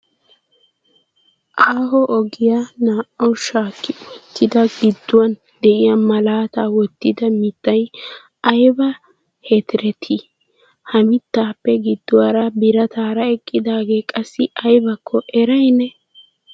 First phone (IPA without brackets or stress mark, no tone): ʔ